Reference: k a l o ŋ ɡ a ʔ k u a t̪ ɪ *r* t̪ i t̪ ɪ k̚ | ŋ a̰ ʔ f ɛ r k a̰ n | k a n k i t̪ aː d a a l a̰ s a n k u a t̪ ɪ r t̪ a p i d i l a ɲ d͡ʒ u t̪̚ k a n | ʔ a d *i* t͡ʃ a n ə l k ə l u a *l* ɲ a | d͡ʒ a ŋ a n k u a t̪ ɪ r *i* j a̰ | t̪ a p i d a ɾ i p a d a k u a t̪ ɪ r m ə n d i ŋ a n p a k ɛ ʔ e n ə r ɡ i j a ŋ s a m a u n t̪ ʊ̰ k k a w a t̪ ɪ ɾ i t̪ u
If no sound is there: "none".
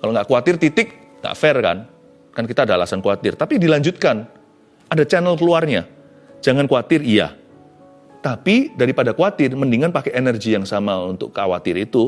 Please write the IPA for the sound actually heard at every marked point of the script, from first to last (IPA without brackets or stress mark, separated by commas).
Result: r, a, r, i